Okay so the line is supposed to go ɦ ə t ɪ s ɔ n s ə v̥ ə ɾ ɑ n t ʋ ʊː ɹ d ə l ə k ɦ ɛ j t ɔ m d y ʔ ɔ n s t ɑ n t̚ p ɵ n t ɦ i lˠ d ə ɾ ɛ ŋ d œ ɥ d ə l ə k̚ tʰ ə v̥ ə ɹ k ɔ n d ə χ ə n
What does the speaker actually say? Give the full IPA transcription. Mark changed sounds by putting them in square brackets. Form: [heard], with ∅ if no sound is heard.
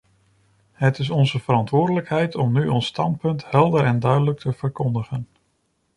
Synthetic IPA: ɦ ə t ɪ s ɔ n [z] ə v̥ ə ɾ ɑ n t ʋ ʊː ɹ d ə l ə k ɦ ɛ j t ɔ m [n] y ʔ ɔ n s t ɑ n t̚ p ɵ n t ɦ [ɛ] lˠ d ə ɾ ɛ [n] d œ ɥ d ə l ə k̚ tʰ ə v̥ ə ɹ k ɔ n d ə χ ə n